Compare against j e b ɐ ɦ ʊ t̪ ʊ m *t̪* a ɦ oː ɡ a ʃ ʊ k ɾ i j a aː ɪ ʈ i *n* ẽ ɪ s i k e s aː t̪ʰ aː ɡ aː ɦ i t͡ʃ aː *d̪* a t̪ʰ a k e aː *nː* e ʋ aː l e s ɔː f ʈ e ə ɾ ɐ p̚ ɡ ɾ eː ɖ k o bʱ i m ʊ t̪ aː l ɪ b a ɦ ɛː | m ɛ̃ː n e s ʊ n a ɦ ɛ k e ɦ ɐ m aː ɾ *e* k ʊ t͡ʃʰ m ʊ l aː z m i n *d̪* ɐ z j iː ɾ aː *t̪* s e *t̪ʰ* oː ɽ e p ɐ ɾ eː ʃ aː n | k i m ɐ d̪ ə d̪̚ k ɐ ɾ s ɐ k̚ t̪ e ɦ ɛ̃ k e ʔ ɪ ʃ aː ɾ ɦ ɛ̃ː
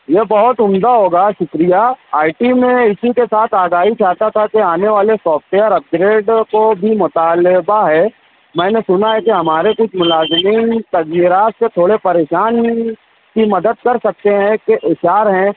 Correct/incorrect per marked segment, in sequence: incorrect: d̪, incorrect: m, incorrect: t̪, incorrect: n, correct, incorrect: t̪, correct, correct

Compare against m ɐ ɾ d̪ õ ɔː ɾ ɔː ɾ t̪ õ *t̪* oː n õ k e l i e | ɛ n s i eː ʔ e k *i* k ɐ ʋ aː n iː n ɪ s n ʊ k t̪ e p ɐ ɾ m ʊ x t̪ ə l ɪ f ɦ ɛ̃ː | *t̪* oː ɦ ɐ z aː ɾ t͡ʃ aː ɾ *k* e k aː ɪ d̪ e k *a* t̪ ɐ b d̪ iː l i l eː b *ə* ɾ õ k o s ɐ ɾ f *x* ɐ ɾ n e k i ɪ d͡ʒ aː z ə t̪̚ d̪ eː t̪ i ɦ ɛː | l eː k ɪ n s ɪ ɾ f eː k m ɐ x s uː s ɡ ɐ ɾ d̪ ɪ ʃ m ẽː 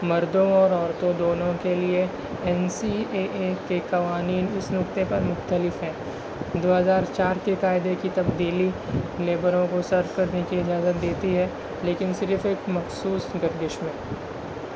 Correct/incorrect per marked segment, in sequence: incorrect: d̪, incorrect: e, incorrect: d̪, correct, incorrect: i, correct, incorrect: k

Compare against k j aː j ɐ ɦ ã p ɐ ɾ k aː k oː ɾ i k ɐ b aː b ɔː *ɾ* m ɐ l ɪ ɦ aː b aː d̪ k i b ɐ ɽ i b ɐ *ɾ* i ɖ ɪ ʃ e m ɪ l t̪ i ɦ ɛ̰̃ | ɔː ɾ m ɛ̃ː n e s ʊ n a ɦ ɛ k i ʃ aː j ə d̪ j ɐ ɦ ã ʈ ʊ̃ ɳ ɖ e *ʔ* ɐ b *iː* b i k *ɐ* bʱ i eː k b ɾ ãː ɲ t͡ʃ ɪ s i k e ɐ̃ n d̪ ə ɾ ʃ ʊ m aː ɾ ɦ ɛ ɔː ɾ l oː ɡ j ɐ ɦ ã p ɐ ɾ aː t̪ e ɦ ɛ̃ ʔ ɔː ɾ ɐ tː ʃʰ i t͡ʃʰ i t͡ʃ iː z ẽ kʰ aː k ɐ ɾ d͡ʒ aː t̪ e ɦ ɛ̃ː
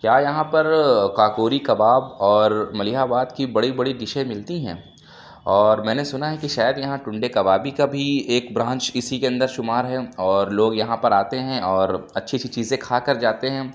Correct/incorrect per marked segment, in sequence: correct, incorrect: ɽ, incorrect: k, incorrect: aː, incorrect: a

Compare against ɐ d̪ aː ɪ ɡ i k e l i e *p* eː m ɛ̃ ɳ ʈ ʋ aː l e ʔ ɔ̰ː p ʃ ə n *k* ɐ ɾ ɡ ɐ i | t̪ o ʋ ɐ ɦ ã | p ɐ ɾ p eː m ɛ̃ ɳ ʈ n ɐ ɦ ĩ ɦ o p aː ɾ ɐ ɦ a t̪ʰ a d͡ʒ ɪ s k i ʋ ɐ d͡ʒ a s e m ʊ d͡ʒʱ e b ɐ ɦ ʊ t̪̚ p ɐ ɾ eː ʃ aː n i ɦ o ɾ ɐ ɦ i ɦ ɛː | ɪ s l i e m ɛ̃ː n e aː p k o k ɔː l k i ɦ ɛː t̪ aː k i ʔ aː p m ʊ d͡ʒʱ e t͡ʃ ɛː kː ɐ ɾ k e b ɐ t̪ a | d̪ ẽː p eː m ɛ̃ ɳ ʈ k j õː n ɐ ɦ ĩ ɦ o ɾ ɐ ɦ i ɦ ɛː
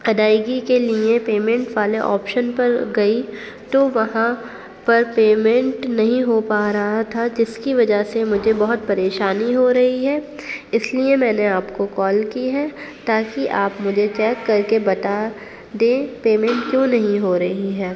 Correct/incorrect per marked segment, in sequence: correct, incorrect: p

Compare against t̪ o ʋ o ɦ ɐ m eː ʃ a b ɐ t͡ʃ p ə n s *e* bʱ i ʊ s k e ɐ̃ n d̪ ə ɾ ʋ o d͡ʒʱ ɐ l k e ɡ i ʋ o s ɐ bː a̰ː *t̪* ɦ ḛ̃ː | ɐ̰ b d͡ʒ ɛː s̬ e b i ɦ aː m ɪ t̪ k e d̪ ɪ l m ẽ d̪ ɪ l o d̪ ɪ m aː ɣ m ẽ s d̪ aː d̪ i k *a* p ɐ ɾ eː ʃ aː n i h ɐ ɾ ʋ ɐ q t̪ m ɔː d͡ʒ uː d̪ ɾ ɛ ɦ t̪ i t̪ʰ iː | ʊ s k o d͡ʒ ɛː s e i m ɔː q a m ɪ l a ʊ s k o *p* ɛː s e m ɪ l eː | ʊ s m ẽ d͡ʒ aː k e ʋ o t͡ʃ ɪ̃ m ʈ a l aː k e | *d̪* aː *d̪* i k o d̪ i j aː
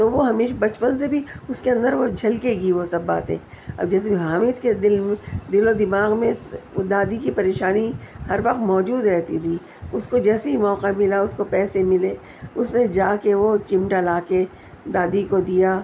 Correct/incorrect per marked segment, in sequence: correct, correct, incorrect: i, correct, correct, correct

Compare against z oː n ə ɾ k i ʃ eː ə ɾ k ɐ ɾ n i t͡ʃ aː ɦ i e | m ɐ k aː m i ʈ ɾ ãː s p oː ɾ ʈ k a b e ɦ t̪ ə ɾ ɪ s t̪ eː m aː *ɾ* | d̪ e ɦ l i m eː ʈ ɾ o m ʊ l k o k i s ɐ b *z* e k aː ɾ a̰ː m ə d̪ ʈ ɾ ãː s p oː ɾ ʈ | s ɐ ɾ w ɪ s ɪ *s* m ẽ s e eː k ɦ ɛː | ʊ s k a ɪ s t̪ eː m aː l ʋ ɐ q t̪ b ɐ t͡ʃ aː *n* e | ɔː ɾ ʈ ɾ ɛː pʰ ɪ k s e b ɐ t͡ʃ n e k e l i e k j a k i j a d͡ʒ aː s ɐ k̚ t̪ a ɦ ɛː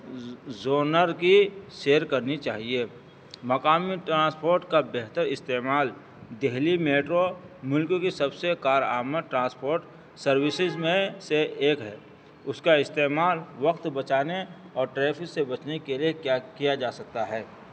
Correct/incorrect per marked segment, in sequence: incorrect: l, incorrect: s, incorrect: z, correct

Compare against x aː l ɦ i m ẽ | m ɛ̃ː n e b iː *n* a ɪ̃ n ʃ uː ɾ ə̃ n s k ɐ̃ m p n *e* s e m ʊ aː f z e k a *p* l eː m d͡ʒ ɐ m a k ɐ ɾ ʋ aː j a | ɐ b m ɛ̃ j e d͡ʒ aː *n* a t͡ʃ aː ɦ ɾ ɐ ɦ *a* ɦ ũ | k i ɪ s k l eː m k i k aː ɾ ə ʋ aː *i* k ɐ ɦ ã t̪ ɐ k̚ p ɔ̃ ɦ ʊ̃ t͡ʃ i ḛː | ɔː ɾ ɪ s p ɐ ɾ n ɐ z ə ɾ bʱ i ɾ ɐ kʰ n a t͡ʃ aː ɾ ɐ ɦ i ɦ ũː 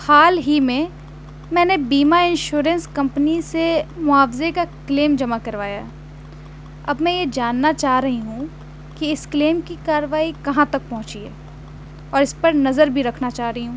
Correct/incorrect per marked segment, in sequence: incorrect: m, incorrect: i, incorrect: k, incorrect: nː, incorrect: i, correct

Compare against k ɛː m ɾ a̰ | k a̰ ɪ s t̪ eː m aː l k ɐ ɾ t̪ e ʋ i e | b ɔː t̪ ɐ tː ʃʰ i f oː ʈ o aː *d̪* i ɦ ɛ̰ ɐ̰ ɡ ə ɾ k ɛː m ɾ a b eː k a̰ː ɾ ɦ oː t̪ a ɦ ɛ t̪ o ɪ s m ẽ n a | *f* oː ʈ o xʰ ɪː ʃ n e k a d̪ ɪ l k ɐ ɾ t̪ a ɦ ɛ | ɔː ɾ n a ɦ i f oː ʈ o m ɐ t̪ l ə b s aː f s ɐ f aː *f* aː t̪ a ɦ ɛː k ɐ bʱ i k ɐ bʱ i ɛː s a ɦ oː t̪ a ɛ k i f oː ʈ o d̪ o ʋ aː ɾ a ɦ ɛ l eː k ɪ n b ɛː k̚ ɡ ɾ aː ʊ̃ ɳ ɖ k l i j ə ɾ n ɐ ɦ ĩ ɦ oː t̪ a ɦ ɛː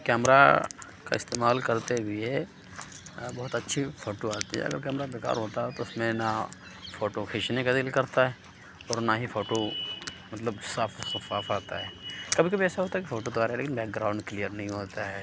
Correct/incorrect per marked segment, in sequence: incorrect: t̪, correct, correct

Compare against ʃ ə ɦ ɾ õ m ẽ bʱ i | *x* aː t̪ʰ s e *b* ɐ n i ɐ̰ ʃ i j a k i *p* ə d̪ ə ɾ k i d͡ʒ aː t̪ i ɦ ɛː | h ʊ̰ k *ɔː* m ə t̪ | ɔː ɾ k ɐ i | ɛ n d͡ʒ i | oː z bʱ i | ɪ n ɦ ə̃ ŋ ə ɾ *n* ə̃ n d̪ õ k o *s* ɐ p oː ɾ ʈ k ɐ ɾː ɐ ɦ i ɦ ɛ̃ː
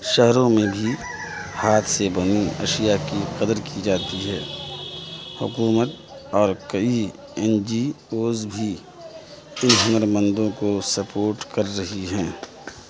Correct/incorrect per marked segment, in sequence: incorrect: h, correct, incorrect: q, incorrect: uː, incorrect: m, correct

